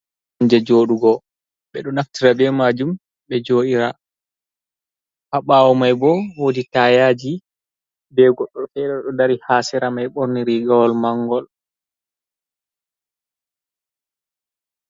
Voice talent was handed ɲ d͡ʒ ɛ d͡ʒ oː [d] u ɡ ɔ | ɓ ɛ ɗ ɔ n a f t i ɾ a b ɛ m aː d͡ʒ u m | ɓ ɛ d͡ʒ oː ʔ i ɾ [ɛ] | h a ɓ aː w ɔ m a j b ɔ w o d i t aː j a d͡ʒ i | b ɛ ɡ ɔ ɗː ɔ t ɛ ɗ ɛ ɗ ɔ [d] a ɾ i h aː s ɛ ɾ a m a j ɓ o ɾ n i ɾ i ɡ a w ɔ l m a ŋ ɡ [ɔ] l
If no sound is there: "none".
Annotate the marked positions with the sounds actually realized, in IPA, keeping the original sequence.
ɗ, a, d, ɔ

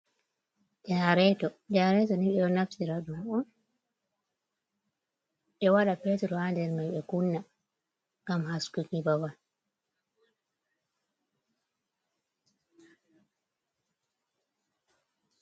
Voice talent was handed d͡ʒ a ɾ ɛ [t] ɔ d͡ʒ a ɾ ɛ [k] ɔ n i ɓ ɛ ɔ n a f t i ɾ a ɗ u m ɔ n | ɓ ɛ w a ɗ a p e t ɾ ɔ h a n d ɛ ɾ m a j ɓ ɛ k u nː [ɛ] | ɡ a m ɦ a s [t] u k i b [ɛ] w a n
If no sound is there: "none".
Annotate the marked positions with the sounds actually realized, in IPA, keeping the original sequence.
t, t, a, k, a

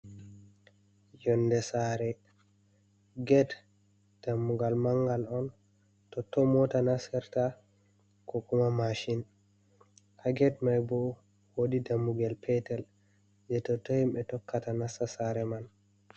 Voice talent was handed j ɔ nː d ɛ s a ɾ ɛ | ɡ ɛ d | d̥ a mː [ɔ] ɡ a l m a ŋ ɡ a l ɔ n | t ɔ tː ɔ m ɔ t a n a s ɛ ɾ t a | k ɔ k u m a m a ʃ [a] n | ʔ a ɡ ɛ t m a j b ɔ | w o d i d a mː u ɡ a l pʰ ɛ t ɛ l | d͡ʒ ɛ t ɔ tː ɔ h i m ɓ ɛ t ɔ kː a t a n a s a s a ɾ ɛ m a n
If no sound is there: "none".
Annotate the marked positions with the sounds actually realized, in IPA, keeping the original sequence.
u, i

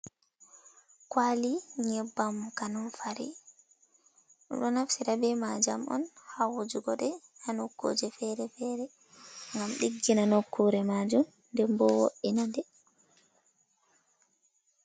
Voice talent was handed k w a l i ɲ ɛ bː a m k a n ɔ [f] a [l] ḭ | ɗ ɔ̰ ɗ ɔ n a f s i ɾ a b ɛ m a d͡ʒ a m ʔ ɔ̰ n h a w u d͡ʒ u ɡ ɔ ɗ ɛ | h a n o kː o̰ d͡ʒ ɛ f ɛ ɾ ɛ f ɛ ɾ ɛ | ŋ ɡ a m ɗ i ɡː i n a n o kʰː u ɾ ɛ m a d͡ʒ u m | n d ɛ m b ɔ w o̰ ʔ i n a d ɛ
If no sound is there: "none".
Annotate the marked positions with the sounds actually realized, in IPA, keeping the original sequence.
f, ɾ

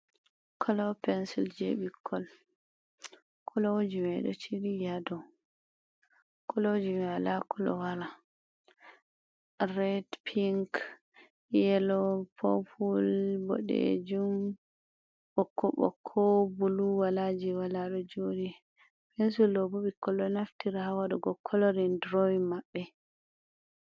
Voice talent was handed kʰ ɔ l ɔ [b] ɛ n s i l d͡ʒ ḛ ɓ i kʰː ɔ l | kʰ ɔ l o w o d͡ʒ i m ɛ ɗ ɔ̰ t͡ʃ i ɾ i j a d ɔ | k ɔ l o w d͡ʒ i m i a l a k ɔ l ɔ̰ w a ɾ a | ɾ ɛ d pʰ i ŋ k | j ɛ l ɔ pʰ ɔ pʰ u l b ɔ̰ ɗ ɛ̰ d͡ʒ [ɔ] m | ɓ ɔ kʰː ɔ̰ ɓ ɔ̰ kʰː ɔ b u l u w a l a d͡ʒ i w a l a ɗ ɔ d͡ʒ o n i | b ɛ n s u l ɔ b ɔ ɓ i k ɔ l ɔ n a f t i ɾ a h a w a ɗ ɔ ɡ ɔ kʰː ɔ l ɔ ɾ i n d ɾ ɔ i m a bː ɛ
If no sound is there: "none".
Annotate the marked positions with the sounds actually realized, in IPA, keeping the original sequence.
p, u

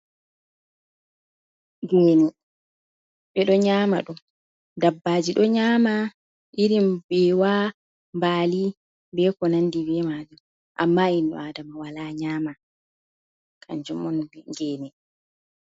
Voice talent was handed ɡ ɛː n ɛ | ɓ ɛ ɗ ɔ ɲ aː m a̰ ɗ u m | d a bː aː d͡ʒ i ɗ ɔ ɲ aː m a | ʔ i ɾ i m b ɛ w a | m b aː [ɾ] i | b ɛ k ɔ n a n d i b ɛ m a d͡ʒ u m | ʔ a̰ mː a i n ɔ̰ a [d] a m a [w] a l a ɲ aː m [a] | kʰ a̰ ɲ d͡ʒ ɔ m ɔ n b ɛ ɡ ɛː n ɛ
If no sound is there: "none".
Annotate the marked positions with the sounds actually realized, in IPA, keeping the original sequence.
l, d, w, a

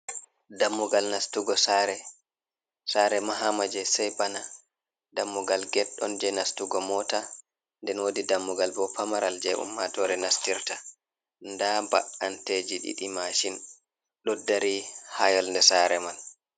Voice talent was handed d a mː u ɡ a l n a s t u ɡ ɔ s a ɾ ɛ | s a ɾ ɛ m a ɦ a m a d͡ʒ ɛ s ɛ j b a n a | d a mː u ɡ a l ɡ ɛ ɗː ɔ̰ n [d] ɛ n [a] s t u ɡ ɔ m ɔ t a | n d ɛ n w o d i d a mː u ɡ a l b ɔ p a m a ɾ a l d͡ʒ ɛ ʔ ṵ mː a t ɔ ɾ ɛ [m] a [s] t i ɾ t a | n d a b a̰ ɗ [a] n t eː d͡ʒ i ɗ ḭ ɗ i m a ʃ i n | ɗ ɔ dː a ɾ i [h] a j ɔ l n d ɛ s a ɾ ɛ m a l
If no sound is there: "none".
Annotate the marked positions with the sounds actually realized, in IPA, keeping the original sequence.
d͡ʒ, a, n, s, a, h

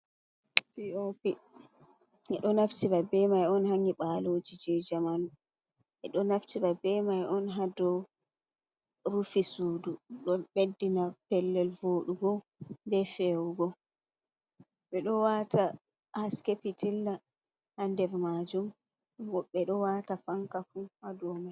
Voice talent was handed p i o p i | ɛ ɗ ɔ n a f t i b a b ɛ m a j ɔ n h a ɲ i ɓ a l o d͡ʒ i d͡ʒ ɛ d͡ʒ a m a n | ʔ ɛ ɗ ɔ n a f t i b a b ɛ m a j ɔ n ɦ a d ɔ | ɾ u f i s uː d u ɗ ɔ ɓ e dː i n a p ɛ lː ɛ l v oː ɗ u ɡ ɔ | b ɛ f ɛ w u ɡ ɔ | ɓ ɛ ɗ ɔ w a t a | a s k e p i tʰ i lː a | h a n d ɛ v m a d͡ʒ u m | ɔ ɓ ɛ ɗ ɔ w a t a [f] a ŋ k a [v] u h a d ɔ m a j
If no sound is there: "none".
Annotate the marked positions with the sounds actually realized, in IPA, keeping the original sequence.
f, f

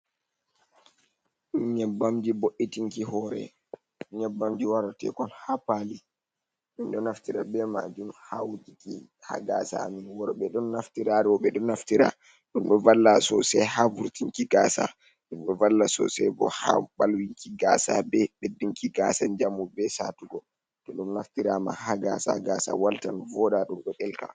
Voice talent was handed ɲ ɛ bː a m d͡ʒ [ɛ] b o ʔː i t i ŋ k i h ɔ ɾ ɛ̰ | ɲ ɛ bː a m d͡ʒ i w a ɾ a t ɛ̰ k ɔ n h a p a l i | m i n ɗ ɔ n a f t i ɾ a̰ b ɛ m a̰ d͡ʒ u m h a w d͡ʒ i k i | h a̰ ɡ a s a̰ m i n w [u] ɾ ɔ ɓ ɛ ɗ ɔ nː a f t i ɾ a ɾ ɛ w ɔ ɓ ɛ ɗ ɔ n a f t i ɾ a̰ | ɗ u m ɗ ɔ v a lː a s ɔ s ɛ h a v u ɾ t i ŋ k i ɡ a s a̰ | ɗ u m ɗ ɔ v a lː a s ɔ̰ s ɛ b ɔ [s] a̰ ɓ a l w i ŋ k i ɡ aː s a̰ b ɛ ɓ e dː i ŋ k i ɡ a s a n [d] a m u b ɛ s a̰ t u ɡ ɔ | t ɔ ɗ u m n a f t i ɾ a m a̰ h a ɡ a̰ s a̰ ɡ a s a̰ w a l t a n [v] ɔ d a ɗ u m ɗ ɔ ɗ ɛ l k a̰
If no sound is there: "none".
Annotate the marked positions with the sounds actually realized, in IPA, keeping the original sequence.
i, ɔ, h, d͡ʒ, v

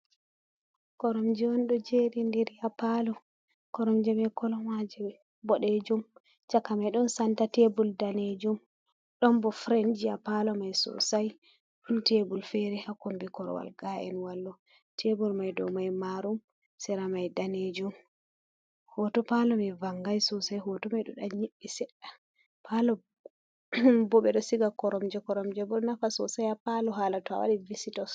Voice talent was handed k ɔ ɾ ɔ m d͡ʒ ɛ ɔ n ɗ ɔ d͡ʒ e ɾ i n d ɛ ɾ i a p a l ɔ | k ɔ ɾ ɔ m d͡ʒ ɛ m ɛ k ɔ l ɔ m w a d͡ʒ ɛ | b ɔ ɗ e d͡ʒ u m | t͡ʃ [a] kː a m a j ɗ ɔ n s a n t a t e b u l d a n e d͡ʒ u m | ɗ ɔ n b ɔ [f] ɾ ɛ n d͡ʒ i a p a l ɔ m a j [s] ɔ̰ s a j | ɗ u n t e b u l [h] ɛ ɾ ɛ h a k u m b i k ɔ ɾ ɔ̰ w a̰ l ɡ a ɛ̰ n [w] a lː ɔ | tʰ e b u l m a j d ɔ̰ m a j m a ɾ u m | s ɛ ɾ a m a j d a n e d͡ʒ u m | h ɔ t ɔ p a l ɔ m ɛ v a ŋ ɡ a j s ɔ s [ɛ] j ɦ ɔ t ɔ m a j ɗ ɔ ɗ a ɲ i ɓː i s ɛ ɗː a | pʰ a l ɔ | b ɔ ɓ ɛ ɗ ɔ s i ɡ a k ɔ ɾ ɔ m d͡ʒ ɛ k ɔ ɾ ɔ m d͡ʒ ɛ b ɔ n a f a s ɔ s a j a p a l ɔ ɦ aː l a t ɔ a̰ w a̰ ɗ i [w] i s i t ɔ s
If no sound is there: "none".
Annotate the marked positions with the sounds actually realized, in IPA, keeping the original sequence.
a, f, s, f, w, a, v

